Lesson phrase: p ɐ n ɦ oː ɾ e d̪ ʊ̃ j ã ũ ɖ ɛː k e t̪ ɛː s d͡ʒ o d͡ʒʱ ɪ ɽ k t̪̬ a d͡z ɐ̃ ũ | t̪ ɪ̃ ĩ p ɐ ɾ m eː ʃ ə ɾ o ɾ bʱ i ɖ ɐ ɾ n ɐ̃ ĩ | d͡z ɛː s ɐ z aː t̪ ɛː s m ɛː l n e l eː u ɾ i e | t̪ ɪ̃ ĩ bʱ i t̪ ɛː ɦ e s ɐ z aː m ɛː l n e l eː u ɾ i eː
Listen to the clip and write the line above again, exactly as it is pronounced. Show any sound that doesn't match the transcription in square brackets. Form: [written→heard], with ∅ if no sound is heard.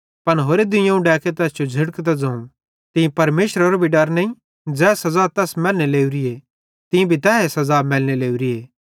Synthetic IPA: p ɐ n ɦ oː ɾ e d̪ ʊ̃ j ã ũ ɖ ɛː k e t̪ ɛː s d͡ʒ o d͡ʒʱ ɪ ɽ k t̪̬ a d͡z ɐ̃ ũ | t̪ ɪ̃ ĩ p ɐ ɾ m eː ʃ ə ɾ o ɾ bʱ i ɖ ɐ ɾ n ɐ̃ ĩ | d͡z ɛː s ɐ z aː t̪ ɛː s m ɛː l n e l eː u ɾ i e | t̪ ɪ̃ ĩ bʱ i t̪ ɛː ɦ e s ɐ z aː m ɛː l n e l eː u ɾ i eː